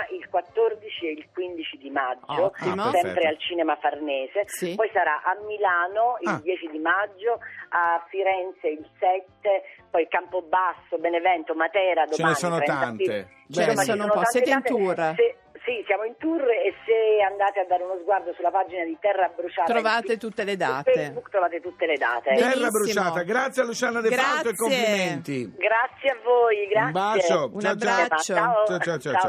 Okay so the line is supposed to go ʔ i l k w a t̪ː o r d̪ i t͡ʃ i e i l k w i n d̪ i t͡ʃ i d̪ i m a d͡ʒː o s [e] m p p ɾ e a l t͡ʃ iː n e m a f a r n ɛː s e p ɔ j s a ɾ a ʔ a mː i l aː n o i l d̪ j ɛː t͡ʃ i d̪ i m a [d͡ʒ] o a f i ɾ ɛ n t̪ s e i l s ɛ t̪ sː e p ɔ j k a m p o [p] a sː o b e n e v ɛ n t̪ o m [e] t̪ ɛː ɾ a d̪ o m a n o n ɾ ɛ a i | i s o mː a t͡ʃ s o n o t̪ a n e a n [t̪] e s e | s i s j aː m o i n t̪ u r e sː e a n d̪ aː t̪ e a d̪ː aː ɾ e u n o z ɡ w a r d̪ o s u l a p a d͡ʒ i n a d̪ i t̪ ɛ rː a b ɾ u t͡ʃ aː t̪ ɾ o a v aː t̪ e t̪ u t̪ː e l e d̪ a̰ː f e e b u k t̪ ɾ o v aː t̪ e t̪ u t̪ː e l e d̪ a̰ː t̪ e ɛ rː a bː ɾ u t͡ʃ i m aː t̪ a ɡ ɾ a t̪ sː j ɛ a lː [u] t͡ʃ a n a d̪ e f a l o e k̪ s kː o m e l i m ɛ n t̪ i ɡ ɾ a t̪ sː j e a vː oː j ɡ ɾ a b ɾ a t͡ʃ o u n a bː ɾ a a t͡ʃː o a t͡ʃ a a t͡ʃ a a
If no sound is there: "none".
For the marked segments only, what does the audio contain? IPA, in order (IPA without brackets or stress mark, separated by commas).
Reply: ɛ, d͡ʒː, b, a, t̪, u